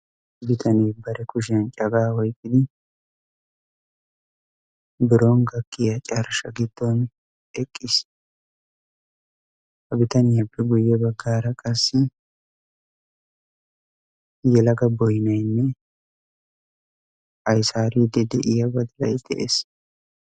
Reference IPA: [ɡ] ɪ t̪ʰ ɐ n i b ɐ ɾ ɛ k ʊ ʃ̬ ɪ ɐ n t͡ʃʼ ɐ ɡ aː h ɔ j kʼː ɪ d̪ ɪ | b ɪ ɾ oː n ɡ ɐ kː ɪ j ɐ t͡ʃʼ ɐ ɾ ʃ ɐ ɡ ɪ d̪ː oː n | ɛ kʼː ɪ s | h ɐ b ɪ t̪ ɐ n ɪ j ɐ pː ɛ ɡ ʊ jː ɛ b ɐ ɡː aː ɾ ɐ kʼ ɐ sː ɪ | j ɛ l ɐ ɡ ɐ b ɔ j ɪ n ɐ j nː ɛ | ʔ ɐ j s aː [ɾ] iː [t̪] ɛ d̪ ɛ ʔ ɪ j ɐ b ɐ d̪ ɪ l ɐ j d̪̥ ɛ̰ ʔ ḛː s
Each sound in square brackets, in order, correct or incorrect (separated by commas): incorrect, correct, incorrect